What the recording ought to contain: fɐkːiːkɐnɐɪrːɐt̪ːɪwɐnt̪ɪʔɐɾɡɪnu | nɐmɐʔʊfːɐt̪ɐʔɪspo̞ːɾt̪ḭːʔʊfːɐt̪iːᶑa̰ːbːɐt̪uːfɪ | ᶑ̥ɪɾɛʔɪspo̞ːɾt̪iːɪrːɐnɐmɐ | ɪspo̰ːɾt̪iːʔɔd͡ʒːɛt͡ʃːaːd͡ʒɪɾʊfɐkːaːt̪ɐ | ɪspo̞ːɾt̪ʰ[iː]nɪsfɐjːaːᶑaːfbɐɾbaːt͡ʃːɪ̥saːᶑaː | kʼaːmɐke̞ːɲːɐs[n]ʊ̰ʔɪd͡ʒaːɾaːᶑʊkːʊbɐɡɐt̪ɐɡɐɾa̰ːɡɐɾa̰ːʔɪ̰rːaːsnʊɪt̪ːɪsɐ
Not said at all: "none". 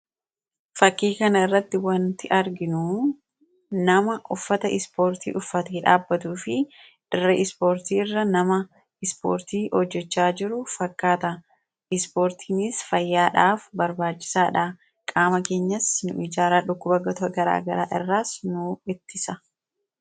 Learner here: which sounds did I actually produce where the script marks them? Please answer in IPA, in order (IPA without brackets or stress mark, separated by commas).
iː, n